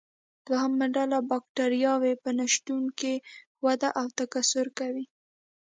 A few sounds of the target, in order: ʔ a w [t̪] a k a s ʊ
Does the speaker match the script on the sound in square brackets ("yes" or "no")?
yes